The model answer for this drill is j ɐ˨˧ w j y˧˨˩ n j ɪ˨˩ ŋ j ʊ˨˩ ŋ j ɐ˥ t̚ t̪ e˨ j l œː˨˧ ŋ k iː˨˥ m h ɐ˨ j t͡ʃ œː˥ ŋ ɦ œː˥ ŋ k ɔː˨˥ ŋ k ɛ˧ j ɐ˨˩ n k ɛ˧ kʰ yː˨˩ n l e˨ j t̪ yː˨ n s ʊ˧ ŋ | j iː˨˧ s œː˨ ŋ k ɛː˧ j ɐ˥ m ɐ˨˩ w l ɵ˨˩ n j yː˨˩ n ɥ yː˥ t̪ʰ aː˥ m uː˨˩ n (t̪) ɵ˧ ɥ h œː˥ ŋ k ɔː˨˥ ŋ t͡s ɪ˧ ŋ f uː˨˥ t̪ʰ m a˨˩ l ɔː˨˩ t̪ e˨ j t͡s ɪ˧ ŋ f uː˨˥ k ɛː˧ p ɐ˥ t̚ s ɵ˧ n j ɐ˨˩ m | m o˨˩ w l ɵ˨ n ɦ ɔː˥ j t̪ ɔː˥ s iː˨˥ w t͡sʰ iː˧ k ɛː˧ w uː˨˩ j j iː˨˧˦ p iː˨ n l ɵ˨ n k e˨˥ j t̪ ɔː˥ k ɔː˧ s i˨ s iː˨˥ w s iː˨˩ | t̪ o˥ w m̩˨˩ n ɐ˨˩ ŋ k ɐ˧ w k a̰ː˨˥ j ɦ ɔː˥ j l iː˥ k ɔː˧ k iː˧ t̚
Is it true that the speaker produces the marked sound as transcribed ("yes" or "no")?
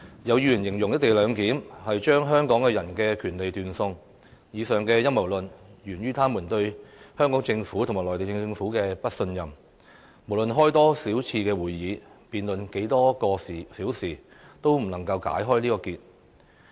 yes